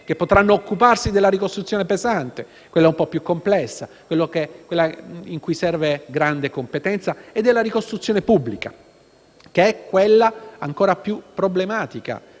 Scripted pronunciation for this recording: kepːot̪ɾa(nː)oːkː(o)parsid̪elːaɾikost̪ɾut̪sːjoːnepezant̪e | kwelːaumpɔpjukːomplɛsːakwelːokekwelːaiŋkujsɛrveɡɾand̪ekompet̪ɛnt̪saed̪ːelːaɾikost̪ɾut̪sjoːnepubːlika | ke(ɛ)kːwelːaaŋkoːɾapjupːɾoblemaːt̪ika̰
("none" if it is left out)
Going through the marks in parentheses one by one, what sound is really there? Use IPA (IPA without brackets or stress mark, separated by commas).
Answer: nː, u, ɛ